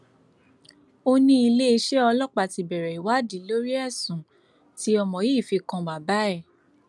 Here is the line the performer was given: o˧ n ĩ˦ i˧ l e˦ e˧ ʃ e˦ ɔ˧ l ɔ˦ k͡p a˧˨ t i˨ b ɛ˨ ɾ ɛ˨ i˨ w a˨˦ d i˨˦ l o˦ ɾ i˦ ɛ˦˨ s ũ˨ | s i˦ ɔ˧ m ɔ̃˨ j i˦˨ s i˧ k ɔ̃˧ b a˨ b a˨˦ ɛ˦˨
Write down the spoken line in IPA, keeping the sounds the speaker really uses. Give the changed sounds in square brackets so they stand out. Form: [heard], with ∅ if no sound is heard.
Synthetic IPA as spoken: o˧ n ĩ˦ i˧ l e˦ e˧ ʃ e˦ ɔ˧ l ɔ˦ k͡p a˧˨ t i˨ b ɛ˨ ɾ ɛ˨ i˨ w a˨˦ d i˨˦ l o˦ ɾ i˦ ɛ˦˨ s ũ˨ | [t] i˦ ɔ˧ m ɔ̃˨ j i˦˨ [f] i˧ k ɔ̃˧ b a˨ b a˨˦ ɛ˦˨

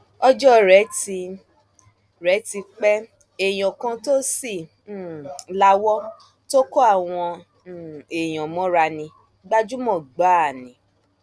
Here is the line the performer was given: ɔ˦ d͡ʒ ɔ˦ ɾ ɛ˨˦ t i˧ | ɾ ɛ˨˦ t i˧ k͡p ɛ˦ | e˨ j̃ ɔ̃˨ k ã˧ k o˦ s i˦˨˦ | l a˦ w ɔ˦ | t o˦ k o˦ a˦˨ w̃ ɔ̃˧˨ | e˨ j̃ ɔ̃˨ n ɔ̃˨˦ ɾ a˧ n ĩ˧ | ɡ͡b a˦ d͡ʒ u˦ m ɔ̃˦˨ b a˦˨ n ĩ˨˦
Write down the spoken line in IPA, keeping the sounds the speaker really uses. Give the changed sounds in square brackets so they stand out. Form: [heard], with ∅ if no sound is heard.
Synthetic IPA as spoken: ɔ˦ d͡ʒ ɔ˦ ɾ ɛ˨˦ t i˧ | ɾ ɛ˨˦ t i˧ k͡p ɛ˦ | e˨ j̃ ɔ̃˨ k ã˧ [t] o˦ s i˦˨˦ | l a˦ w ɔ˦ | t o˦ k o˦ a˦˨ w̃ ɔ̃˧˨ | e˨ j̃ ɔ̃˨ [m] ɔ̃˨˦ ɾ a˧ n ĩ˧ | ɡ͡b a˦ d͡ʒ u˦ m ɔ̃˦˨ [ɡ͡b] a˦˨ n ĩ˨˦

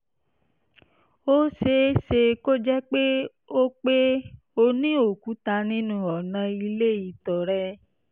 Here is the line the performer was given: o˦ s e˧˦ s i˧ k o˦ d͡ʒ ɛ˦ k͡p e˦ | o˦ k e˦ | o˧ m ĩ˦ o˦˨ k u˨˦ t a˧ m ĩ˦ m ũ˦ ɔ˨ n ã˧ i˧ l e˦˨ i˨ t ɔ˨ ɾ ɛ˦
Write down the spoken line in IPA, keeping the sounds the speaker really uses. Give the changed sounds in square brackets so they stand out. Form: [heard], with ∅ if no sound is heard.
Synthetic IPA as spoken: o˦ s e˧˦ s [e˧] k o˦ d͡ʒ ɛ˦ k͡p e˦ | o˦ [k͡p] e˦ | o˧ [n] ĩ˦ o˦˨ k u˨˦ t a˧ [n] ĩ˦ [n] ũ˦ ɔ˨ n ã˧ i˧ l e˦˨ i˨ t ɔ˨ ɾ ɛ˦

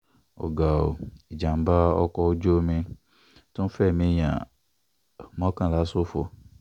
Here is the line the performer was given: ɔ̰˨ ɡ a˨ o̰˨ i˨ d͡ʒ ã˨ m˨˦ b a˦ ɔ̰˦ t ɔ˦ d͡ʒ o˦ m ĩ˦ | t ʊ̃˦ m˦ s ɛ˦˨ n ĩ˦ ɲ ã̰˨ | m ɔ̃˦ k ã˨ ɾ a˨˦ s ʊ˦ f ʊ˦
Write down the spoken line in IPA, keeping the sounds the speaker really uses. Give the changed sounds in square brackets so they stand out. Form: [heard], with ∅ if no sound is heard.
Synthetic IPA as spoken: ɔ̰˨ ɡ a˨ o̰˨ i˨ d͡ʒ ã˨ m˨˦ b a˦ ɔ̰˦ [k] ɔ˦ d͡ʒ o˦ m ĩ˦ | t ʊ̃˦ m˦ [f] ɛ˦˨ [m] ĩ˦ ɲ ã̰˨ | m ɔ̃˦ k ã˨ [l] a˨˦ s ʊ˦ f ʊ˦

